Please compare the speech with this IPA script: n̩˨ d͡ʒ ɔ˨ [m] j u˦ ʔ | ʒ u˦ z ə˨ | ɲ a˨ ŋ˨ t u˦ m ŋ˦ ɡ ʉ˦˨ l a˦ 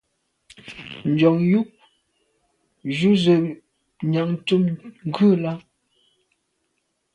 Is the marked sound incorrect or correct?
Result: incorrect